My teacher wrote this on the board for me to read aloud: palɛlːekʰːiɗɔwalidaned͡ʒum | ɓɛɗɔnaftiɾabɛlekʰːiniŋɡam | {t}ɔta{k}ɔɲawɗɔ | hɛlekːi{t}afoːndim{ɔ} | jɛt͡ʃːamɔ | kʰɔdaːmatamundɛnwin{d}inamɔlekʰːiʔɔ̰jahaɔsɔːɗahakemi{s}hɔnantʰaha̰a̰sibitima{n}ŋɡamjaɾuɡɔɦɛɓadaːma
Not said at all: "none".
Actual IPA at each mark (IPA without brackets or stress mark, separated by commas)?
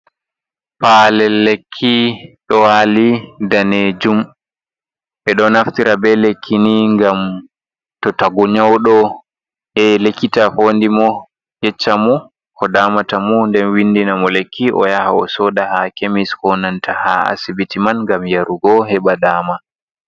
t, ɡ, t, ɔ, d, s, n